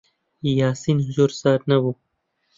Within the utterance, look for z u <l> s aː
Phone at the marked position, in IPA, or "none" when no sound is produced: ɾ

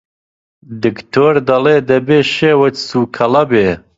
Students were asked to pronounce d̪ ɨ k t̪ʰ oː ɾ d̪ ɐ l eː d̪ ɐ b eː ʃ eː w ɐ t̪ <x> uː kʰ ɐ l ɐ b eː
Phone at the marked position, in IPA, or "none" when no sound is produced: s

